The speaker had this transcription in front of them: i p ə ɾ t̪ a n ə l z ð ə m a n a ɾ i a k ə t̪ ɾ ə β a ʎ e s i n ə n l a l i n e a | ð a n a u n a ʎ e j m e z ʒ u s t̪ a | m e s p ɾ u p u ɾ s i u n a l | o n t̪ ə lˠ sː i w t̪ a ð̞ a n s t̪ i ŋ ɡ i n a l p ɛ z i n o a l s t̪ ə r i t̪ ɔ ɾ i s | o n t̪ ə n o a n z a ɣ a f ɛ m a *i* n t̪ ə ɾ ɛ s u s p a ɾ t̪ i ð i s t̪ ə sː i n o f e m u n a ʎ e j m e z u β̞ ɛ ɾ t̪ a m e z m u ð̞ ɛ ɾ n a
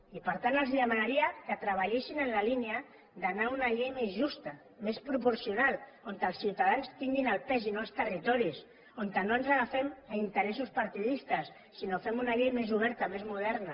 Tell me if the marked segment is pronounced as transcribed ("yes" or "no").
yes